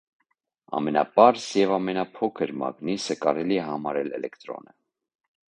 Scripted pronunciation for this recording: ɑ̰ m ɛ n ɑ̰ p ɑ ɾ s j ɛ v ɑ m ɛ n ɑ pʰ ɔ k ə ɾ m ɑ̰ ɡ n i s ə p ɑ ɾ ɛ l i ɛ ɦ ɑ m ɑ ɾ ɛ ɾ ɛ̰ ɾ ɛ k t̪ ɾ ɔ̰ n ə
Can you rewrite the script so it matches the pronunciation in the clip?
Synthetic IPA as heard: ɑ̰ m ɛ n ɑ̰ p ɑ ɾ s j ɛ v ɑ m ɛ n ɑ pʰ ɔ kʰ ə ɾ m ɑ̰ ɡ n i s ə k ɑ ɾ ɛ l i ɛ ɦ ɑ m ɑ ɾ ɛ l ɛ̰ l ɛ k t̪ ɾ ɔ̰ n ə

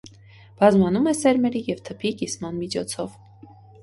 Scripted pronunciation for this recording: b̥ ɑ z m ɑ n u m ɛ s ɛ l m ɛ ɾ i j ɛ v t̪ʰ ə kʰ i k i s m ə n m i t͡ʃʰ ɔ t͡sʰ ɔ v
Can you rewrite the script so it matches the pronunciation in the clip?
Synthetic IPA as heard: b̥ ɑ z m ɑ n u m ɛ s ɛ ɾ m ɛ ɾ i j ɛ v t̪ʰ ə pʰ i k i s m ɑ n m i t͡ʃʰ ɔ t͡sʰ ɔ v

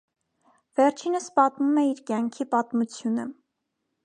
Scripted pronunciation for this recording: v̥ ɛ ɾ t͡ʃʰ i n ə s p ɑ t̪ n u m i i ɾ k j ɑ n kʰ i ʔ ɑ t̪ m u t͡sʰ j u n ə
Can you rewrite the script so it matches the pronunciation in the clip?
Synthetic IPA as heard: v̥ ɛ ɾ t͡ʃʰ i n ə s p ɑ t̪ m u m ɛ i ɾ k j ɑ ŋ kʰ i p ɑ t̪ m u t͡sʰ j u n ə

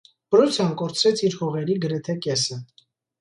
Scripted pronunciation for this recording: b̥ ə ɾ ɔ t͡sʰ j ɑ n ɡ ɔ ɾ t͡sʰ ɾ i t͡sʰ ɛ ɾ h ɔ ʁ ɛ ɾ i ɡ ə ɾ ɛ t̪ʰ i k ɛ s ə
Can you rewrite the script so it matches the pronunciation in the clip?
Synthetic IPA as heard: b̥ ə ɾ ɔ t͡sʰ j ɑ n k ɔ ɾ t͡sʰ ɾ ɛ t͡sʰ i ɾ h ɔ ʁ ɛ ɾ i ɡ ə ɾ ɛ t̪ʰ ɛ k ɛ s ə

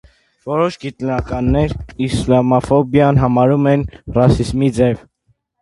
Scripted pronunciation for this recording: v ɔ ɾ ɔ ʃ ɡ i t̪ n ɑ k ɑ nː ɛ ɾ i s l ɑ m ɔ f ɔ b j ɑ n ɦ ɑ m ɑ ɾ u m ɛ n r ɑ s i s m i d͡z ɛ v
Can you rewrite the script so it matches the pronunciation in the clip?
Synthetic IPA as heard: v ɔ ɾ ɔ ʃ ɡ i t̪ n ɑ k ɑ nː ɛ ɾ i s l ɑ m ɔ f ɔ b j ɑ n ɦ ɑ m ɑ ɾ u m ɛ n r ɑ s i z m i d͡z ɛ v

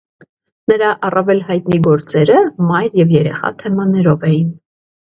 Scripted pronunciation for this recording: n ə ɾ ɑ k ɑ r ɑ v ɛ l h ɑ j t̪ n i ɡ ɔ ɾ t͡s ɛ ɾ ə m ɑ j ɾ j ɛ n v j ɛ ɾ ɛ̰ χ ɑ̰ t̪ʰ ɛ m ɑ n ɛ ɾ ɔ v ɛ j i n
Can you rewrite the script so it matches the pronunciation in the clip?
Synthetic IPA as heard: n ə ɾ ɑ ʔ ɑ r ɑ v ɛ l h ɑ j t̪ n i ɡ ɔ ɾ t͡s ɛ ɾ ə m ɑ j ɾ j ɛ v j ɛ ɾ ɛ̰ χ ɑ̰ t̪ʰ ɛ m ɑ n ɛ ɾ ɔ v ɛ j i n

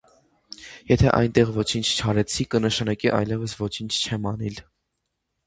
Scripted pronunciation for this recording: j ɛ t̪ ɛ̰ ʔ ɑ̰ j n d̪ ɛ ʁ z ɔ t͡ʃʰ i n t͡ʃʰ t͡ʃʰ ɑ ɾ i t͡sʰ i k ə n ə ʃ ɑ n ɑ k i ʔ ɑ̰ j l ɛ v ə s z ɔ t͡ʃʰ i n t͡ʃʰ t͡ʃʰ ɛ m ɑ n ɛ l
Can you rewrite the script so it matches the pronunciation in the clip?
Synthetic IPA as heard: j ɛ t̪ʰ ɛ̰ ʔ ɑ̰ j n t̪ ɛ ʁ v ɔ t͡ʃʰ i n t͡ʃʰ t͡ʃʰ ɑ ɾ ɛ t͡sʰ i k ə n ə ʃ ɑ n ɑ k i ʔ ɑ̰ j l ɛ v ə s v ɔ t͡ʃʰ i n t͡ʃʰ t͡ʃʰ ɛ m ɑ n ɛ l

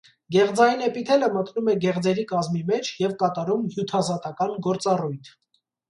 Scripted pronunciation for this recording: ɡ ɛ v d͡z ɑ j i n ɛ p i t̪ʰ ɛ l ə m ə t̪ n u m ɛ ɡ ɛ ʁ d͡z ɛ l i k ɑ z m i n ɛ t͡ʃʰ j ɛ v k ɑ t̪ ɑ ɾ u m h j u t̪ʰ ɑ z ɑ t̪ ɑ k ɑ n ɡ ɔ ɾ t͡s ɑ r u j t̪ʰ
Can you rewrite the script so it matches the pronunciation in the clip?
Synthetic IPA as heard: ɡ ɛ ʁ d͡z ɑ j i n ɛ p i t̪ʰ ɛ l ə m ə t̪ n u m ɛ ɡ ɛ ʁ d͡z ɛ ɾ i k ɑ z m i m ɛ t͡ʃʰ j ɛ v k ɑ t̪ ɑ ɾ u m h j u t̪ʰ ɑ z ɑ t̪ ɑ k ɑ n ɡ ɔ ɾ t͡s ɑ r u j t̪ʰ

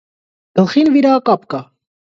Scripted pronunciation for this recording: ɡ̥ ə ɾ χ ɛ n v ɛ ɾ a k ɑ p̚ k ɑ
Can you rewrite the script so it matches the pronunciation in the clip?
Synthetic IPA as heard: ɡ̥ ə l χ i n v i ɾ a k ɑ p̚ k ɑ

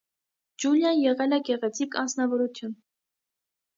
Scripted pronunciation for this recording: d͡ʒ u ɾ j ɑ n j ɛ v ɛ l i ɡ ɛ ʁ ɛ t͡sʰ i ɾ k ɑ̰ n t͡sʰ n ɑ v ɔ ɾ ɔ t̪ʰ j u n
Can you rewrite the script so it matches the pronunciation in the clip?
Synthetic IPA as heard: d͡ʒ u l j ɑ n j ɛ ʁ ɛ l ɛ ɡ ɛ ʁ ɛ t͡sʰ i k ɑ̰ n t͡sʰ n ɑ v ɔ ɾ u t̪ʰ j u n

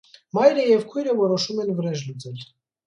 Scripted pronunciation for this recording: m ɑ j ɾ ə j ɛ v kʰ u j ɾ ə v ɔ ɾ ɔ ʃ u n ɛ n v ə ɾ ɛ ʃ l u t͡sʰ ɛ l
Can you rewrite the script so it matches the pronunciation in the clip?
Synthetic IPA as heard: m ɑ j ɾ ə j ɛ v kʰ u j ɾ ə v ɔ ɾ ɔ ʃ u m ɛ n v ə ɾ ɛ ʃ l u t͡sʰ ɛ l

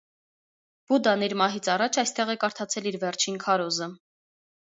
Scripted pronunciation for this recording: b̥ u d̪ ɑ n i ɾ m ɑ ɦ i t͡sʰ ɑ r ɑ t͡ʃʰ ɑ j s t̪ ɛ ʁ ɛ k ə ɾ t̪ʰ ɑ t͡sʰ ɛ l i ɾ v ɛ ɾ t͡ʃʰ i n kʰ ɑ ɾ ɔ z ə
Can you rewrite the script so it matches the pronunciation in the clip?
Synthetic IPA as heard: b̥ u d̪ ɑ n i ɾ m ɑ ɦ i t͡sʰ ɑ r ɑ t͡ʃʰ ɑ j s t̪ ɛ ʁ ɛ k ɑ ɾ t̪ʰ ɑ t͡sʰ ɛ l i ɾ v ɛ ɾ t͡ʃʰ i n kʰ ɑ ɾ ɔ z ə

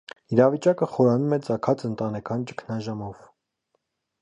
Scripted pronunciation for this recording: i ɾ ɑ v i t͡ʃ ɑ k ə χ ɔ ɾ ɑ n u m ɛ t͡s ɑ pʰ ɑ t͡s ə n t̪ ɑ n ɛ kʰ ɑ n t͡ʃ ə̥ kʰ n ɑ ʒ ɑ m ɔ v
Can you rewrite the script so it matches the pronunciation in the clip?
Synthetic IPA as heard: i ɾ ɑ v i t͡ʃ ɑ k ə χ ɔ ɾ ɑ n u m ɛ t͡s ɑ kʰ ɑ t͡s ə n t̪ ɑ n ɛ kʰ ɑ n t͡ʃ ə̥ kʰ n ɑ ʒ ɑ m ɔ v

